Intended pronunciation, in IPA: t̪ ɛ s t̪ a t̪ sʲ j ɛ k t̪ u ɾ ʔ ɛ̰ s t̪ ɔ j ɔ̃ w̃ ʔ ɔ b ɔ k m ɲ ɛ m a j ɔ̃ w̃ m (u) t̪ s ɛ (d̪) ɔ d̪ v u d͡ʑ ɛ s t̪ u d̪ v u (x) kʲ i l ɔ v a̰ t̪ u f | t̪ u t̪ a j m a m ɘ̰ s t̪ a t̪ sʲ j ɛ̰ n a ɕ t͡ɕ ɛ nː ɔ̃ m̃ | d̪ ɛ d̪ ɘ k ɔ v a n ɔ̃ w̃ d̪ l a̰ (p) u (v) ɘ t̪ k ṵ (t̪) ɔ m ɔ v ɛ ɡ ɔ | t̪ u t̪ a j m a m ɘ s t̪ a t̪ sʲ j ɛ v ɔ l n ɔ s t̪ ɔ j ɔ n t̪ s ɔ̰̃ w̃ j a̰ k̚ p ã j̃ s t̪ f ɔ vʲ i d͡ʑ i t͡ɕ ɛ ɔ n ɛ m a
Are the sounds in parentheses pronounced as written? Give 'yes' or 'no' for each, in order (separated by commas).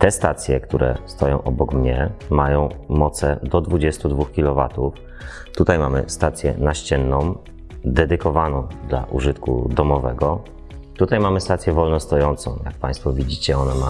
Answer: no, yes, yes, no, no, no